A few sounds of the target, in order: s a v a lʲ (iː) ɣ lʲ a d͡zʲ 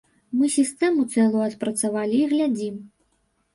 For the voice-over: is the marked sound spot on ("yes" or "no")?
yes